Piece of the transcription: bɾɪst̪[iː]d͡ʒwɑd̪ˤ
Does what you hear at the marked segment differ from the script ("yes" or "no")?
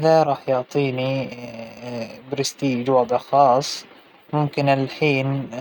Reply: no